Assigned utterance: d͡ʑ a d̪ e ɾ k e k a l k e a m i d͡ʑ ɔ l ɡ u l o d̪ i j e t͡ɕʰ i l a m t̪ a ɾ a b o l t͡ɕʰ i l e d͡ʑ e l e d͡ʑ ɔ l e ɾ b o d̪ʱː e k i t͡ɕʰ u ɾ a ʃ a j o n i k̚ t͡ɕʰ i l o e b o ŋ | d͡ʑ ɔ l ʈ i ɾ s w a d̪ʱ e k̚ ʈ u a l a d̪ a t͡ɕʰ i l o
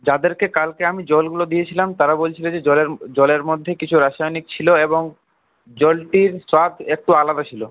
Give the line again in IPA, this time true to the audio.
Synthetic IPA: d͡ʑ a d̪ e ɾ k e k a l k e a m i d͡ʑ ɔ l ɡ u l o d̪ i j e t͡ɕʰ i l a m t̪ a ɾ a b o l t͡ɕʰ i l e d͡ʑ e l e d͡ʑ ɔ l e ɾ m o d̪ʱː e k i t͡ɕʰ u ɾ a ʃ a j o n i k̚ t͡ɕʰ i l o e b o ŋ | d͡ʑ ɔ l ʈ i ɾ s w a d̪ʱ e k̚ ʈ u a l a d̪ a t͡ɕʰ i l o